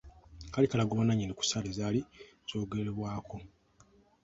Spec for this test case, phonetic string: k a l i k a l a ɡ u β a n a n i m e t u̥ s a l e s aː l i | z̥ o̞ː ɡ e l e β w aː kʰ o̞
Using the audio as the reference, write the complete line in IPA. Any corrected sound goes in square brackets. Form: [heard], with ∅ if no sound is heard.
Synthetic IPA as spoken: k a l i k a l a ɡ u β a n a [ɲ] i [n] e [k] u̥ s a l e [z] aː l i | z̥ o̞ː ɡ e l e β w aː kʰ o̞